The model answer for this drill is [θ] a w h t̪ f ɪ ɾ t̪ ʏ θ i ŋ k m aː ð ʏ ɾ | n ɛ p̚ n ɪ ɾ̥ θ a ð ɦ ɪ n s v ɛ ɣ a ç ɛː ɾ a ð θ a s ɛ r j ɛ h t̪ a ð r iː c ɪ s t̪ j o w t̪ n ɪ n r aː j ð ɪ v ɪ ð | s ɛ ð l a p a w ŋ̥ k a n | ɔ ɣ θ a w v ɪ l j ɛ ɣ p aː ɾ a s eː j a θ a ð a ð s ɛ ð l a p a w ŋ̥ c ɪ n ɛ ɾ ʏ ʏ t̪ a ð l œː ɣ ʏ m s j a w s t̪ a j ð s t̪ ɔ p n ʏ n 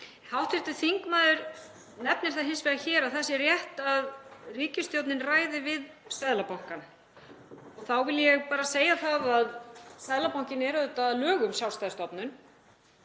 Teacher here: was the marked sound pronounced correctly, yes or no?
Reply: no